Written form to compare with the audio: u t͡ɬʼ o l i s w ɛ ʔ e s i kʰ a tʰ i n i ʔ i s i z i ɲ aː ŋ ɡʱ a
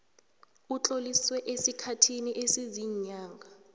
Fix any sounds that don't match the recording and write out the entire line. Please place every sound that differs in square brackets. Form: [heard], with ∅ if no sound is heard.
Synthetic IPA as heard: u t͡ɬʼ o l i s w ɛ ʔ e s i kʰ a tʰ i n i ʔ [e] s i z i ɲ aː ŋ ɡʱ a